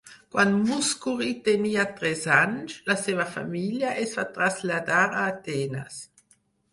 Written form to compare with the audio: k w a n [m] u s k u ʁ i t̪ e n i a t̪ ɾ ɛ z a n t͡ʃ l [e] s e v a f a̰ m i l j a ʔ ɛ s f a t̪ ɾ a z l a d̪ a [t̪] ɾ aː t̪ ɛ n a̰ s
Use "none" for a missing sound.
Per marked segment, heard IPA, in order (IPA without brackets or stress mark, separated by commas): m, a, none